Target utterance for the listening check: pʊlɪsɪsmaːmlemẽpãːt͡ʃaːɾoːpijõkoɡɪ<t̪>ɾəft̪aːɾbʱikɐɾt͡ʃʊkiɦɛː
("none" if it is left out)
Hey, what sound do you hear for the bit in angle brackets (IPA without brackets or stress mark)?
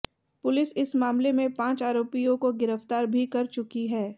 none